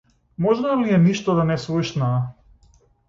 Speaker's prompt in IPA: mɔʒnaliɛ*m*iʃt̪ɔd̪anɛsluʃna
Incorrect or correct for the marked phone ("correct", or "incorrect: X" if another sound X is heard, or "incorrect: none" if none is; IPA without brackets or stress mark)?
incorrect: n